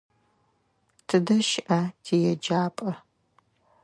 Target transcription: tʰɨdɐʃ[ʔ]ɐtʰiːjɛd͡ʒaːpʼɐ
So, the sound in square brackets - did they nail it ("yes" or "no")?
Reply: yes